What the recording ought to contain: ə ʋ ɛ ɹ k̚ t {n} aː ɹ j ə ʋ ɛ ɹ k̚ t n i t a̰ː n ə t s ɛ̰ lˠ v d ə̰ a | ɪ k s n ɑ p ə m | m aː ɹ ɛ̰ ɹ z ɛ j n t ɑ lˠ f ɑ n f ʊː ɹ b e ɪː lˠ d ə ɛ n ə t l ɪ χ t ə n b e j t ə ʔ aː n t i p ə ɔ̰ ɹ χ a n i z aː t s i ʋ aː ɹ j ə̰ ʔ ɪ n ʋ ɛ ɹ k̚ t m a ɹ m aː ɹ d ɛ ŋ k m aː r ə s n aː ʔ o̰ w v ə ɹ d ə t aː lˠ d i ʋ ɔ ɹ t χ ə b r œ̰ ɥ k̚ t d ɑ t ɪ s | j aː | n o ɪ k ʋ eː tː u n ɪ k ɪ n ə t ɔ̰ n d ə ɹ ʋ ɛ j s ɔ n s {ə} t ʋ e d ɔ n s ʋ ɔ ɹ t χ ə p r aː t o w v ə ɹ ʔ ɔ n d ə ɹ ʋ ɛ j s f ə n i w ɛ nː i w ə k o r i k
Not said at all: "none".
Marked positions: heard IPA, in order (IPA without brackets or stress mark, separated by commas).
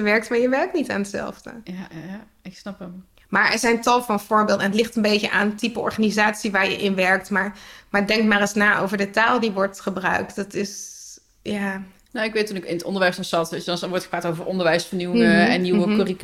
m, ɑ